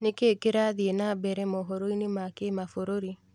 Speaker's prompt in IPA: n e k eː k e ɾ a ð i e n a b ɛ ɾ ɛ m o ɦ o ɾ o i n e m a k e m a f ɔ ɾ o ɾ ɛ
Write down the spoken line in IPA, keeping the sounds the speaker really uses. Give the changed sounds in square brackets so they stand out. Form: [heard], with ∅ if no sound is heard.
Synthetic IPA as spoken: n e k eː k e ɾ a ð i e n a b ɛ ɾ ɛ m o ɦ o ɾ o i n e m a k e m a f [o] ɾ o ɾ [i]